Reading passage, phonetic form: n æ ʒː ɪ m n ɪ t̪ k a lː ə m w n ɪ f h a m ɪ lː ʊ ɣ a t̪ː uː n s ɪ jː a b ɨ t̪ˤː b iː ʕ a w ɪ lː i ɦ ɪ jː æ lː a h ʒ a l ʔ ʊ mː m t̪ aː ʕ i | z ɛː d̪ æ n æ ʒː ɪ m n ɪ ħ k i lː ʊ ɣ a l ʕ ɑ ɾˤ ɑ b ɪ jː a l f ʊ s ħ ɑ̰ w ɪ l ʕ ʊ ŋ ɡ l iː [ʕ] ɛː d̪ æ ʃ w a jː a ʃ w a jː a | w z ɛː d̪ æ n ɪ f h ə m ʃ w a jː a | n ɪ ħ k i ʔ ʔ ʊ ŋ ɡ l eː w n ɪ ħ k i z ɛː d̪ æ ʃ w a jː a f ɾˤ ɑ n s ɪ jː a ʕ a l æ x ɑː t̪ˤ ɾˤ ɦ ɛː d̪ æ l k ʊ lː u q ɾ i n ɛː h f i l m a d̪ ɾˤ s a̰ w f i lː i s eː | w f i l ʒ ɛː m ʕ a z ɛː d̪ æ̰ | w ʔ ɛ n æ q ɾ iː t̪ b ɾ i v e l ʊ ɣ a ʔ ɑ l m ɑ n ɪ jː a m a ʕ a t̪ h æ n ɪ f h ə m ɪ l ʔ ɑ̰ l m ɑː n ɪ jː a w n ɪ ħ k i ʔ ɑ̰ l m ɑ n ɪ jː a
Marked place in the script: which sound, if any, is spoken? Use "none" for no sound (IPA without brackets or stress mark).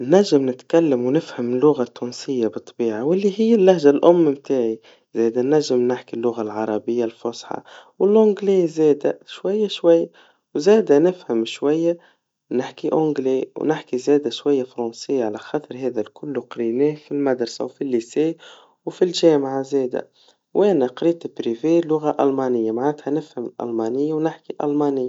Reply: z